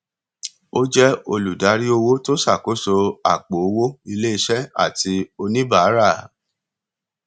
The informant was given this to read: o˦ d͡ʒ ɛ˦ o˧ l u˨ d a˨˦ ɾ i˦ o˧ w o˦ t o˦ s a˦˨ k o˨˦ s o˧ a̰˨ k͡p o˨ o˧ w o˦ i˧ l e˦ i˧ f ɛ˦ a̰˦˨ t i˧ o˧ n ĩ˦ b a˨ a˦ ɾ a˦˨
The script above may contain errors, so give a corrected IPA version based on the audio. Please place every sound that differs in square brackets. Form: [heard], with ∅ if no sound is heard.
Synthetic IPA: o˦ d͡ʒ ɛ˦ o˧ l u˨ d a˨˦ ɾ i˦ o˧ w o˦ t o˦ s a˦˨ k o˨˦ s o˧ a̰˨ k͡p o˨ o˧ w o˦ i˧ l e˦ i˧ [ʃ] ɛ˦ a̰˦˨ t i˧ o˧ n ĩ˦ b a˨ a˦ ɾ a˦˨